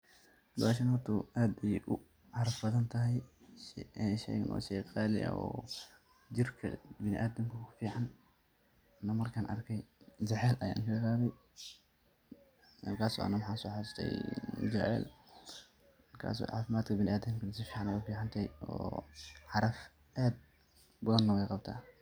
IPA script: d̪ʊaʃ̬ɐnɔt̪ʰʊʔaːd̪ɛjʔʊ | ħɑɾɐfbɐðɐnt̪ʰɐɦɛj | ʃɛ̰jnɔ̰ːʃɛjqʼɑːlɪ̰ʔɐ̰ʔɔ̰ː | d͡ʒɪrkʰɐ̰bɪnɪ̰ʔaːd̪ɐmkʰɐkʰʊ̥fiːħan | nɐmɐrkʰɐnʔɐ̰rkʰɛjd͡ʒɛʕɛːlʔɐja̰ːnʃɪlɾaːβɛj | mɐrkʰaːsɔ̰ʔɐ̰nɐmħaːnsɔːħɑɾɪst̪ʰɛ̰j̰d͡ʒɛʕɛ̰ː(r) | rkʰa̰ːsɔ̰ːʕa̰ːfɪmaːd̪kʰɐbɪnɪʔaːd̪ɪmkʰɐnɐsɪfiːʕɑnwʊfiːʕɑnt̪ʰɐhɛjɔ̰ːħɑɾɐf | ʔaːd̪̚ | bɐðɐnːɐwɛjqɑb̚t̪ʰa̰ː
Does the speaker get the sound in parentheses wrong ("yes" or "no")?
yes